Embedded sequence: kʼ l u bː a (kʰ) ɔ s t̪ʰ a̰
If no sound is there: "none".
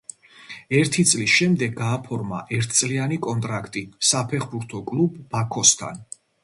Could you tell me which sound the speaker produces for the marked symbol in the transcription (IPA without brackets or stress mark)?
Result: kʰ